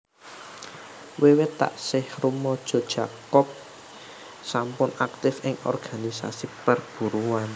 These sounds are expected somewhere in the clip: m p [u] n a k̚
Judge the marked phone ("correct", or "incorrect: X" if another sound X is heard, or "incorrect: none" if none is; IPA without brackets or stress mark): incorrect: ʊ